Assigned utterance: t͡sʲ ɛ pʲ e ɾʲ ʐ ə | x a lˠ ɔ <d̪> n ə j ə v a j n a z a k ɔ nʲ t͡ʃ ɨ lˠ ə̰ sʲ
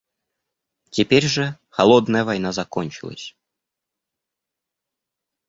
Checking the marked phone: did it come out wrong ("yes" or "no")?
no